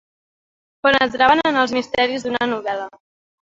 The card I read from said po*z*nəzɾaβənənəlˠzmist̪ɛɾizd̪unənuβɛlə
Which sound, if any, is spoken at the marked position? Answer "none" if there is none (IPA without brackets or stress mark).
none